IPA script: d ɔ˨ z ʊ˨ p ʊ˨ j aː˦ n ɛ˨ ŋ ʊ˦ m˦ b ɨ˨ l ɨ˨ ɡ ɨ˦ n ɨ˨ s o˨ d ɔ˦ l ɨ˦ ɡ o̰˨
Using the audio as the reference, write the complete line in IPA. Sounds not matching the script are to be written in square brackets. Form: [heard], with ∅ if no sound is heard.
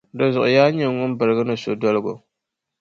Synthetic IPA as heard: d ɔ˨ z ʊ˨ [ʔ] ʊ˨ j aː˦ [ɲ] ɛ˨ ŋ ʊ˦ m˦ b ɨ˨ [ɾ] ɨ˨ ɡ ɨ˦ n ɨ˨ s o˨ d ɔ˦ l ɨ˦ ɡ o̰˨